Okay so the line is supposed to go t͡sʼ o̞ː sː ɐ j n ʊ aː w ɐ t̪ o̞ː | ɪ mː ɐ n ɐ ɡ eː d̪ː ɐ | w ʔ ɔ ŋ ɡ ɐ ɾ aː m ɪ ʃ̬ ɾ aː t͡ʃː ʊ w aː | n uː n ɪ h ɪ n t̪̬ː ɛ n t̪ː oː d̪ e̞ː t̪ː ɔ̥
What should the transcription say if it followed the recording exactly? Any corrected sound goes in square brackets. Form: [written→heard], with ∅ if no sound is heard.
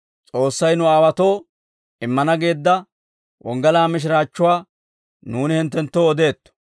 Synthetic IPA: t͡sʼ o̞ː sː ɐ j n ʊ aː w ɐ t̪ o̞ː | ɪ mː ɐ n ɐ ɡ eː d̪ː ɐ | w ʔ ɔ ŋ ɡ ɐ [ɾ→l] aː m ɪ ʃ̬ ɾ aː t͡ʃː ʊ w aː | n uː n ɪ h ɪ n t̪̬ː ɛ n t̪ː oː d̪ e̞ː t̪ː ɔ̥